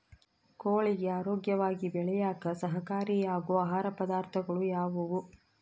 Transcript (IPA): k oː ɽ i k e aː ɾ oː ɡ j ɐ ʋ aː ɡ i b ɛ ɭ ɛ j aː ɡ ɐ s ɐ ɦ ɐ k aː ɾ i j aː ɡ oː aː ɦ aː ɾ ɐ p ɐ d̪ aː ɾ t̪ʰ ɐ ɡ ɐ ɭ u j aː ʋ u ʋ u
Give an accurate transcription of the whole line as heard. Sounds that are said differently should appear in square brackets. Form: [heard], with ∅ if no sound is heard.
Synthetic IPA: k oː [ɭ] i [ɡ] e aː ɾ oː ɡ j ɐ ʋ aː ɡ i b ɛ ɭ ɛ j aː [k] ɐ s ɐ ɦ ɐ k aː ɾ i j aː ɡ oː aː ɦ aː ɾ ɐ p ɐ d̪ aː ɾ t̪ʰ ɐ ɡ ɐ ɭ u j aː ʋ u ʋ u